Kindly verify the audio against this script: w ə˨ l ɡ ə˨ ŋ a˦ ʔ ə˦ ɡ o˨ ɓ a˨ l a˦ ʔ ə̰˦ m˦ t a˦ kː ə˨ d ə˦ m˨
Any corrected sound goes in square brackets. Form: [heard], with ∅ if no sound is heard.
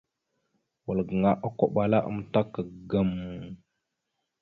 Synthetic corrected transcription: w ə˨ l ɡ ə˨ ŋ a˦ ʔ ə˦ [k] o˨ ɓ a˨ l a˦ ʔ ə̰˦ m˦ t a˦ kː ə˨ [ɡ] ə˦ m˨